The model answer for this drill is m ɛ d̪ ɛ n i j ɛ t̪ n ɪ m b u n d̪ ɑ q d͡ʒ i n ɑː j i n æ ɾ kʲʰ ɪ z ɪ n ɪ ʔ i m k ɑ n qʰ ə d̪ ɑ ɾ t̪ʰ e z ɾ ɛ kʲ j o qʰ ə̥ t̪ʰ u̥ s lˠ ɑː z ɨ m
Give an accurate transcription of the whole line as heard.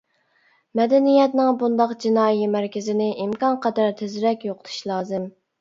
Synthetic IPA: m ɛ d̪ ɛ n i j ɛ t̪ n ɪ ŋ b u n d̪ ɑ q d͡ʒ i n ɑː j i m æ ɾ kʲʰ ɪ z ɪ n ɪ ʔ i m k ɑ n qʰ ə d̪ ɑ ɾ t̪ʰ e z ɾ ɛ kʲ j o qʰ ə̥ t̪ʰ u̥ ʃ lˠ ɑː z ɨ m